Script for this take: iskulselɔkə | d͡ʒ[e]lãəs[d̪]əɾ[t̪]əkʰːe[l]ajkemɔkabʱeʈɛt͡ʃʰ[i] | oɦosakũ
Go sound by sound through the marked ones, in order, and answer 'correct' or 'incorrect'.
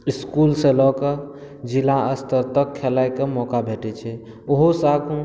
incorrect, incorrect, correct, correct, incorrect

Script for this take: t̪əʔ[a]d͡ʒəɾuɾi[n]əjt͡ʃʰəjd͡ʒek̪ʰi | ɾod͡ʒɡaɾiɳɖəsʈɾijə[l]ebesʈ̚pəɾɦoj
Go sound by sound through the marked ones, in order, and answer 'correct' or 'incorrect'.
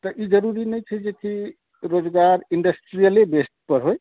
incorrect, correct, correct

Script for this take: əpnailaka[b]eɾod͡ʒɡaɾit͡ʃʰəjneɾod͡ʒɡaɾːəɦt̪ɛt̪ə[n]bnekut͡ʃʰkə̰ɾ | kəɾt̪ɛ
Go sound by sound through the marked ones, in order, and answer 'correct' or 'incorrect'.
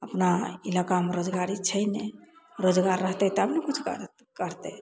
incorrect, incorrect

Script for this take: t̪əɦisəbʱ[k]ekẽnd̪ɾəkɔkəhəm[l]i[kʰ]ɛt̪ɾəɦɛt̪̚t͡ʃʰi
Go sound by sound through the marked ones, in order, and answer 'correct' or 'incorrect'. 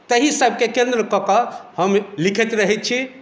correct, correct, correct

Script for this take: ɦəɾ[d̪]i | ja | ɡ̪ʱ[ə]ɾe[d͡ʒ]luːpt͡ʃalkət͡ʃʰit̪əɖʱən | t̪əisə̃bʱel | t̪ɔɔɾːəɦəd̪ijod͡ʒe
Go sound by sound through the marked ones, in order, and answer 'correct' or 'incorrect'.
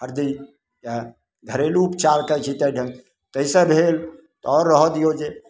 correct, correct, incorrect

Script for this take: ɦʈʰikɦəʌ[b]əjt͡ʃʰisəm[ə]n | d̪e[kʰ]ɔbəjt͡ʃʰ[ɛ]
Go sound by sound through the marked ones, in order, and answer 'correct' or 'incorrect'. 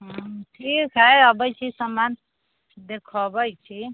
correct, incorrect, correct, incorrect

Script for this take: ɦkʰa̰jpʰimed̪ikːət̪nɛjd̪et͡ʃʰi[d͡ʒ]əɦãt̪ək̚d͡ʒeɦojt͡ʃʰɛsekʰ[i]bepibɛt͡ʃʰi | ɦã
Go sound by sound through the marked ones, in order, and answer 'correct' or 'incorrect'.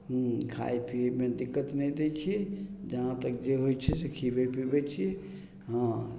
correct, correct

